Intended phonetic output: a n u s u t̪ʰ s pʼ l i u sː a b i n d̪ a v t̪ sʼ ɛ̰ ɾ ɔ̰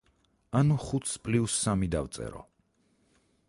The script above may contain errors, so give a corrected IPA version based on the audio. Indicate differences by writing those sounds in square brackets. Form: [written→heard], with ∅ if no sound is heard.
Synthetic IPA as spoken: a n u [s→χ] u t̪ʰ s pʼ l i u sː a [b→m] i [n→∅] d̪ a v t̪ sʼ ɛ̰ ɾ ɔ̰